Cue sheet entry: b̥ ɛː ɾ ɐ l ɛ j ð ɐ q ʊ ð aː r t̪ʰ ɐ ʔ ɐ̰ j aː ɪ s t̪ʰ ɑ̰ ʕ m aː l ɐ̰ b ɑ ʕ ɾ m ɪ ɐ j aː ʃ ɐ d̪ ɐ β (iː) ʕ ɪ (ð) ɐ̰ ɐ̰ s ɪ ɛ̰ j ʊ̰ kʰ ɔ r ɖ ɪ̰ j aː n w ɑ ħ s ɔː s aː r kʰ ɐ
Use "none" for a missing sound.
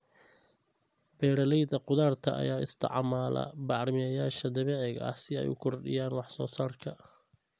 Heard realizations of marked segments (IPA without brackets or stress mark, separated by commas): ɛː, ɣ